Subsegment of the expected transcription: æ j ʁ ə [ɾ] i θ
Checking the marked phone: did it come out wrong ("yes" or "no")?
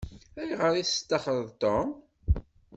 no